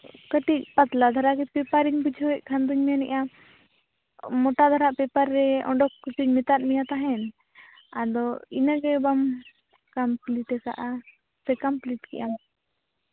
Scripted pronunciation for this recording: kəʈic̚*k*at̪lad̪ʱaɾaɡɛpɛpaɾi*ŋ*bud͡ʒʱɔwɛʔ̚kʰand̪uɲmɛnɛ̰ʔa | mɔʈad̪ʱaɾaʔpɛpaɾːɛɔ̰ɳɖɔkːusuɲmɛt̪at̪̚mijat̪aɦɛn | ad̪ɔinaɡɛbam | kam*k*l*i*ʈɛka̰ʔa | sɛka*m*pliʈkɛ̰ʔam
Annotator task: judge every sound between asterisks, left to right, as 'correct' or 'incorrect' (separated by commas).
incorrect, incorrect, incorrect, correct, correct